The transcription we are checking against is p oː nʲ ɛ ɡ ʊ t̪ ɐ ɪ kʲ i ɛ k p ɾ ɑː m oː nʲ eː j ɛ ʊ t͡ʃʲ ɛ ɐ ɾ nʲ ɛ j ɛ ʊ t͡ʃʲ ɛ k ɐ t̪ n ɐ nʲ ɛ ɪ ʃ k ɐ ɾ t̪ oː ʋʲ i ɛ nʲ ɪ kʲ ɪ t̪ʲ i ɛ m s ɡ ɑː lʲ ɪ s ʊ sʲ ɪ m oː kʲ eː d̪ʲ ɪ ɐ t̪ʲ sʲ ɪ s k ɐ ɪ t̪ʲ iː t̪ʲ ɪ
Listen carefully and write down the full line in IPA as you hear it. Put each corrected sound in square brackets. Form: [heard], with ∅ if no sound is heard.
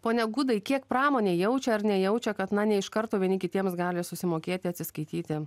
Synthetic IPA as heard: p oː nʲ ɛ ɡ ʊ [d̪] ɐ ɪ kʲ i ɛ k p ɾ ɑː m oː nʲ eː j ɛ ʊ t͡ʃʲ ɛ ɐ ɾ nʲ ɛ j ɛ ʊ t͡ʃʲ ɛ k ɐ t̪ n ɐ nʲ ɛ ɪ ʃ k ɐ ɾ t̪ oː ʋʲ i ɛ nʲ ɪ kʲ ɪ t̪ʲ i ɛ m s ɡ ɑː lʲ ɪ s ʊ sʲ ɪ m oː kʲ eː [t̪ʲ] ɪ ɐ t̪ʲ sʲ ɪ s k ɐ ɪ t̪ʲ iː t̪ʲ ɪ